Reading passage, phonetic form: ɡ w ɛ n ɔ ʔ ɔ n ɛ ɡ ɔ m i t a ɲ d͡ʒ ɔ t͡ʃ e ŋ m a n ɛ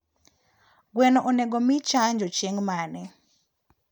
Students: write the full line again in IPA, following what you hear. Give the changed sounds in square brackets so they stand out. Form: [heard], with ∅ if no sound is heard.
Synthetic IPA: ɡ w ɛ n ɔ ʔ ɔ n ɛ ɡ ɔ m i [t͡ʃ] a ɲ d͡ʒ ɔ t͡ʃ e ŋ m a n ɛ